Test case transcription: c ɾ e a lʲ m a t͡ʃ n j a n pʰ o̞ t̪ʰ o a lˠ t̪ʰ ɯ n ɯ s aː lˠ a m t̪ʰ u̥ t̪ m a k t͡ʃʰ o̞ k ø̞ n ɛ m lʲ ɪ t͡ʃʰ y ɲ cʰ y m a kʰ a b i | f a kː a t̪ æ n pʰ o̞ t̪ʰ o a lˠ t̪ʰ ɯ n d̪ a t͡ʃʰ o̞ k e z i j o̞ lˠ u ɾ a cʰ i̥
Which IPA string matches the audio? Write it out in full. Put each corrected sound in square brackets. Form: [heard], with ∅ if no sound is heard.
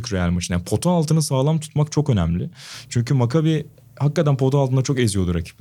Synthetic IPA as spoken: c ɾ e a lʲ m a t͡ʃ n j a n pʰ o̞ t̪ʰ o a lˠ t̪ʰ ɯ n ɯ s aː lˠ a m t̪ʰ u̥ t̪ m a k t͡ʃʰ o̞ k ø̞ n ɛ m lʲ ɪ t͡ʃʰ y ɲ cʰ y m a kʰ a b i | [h] a kː a t̪ æ n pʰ o̞ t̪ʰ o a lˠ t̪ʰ ɯ n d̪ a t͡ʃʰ o̞ k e z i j o̞ lˠ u ɾ a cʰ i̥